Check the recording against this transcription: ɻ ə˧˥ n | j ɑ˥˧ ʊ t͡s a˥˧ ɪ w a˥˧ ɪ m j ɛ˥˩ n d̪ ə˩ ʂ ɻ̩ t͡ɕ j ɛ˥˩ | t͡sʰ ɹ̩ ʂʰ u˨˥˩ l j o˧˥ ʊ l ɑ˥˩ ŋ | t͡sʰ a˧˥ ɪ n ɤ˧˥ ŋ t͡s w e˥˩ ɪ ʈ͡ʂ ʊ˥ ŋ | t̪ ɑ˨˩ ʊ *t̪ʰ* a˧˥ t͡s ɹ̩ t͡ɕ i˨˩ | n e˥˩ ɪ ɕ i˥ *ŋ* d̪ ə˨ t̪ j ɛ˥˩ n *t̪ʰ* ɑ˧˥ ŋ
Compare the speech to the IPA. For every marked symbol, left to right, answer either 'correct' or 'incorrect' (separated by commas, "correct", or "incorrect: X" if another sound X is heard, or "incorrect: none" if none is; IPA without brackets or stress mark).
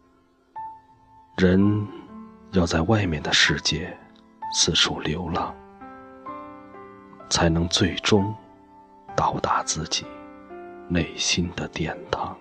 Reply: incorrect: t̪, incorrect: n, correct